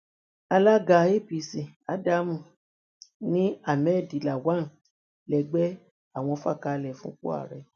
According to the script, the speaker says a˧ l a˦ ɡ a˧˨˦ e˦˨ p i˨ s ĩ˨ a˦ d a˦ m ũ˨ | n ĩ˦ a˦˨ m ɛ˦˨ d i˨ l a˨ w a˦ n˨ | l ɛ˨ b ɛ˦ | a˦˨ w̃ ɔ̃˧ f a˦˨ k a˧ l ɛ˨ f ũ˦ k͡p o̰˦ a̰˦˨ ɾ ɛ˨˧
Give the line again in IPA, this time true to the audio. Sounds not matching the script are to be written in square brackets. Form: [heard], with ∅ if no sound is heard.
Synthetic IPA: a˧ l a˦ ɡ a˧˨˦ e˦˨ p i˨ s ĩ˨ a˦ d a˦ m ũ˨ | n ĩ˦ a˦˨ m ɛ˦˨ d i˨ l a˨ w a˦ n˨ | l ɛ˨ [ɡ͡b] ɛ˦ | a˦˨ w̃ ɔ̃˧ f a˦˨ k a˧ l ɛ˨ f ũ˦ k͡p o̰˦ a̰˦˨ ɾ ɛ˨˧